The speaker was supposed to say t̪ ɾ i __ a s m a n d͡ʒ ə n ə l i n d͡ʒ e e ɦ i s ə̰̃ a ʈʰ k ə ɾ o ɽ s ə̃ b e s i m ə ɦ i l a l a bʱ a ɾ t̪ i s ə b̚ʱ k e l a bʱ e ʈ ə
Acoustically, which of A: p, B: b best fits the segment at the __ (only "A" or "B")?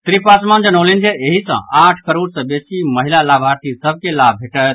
A